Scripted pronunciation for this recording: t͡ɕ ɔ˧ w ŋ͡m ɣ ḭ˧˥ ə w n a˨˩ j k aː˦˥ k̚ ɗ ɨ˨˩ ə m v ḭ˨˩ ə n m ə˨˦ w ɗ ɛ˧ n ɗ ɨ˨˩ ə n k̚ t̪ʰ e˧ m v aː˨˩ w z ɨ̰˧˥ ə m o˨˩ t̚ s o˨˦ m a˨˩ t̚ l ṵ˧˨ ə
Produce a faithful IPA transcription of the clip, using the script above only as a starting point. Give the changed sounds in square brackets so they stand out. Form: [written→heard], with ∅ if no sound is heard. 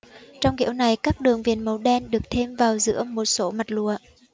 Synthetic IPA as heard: t͡ɕ ɔ˧ w ŋ͡m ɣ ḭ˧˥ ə w n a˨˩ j k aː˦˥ k̚ ɗ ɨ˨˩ ə [m→ŋ] v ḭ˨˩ ə n m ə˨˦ w ɗ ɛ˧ n ɗ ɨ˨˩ ə [n→∅] k̚ t̪ʰ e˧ m v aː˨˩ w z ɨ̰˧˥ ə m o˨˩ t̚ s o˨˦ m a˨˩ t̚ l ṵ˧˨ ə